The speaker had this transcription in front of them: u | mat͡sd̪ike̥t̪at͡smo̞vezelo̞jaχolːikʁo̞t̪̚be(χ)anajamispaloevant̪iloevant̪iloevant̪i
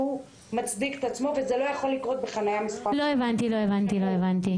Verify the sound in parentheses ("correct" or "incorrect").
correct